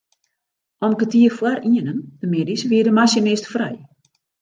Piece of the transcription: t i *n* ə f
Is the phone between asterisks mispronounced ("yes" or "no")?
yes